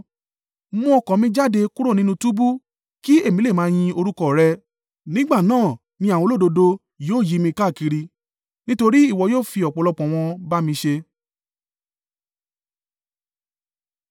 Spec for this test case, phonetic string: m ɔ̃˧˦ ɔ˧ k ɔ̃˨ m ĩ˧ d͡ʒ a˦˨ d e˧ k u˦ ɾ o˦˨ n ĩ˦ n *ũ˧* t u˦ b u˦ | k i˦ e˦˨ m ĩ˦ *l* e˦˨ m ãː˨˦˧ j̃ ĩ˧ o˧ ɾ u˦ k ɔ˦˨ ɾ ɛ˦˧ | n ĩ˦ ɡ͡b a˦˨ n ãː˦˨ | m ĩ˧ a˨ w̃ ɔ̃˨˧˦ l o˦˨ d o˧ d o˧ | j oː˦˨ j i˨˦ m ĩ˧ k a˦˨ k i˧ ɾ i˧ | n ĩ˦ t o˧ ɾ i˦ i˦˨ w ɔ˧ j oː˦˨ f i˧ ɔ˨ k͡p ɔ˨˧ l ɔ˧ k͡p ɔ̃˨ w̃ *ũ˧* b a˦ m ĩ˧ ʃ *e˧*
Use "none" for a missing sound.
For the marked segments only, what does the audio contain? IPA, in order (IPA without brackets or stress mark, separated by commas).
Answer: ũ˧, l, ɔ̃˧, e˧